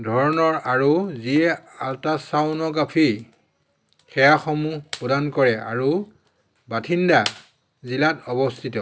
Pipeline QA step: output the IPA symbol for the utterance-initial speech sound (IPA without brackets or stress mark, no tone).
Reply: dʱ